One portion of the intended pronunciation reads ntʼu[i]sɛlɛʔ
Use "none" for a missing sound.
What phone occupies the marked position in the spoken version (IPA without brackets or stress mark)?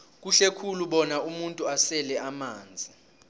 a